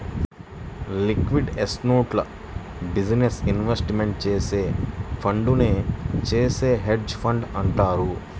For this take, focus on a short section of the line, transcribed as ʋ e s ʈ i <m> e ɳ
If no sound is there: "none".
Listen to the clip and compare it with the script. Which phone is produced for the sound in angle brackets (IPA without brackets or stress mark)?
m